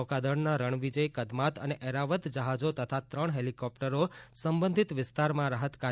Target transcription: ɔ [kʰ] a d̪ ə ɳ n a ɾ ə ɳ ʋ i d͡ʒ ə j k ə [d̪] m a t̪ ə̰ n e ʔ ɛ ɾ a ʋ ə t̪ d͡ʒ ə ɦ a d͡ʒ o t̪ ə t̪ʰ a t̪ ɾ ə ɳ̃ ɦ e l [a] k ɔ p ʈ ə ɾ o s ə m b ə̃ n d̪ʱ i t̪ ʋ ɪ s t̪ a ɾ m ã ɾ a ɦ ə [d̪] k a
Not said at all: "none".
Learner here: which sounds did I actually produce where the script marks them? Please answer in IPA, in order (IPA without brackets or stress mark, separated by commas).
k, d̪, i, t̪